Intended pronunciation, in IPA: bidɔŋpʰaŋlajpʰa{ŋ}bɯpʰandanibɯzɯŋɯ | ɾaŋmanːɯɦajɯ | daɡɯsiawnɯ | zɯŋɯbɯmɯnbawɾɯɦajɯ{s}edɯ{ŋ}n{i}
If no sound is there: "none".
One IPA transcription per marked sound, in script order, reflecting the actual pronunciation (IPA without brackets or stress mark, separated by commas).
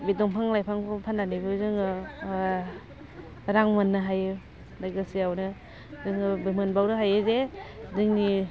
ŋ, z, ŋ, i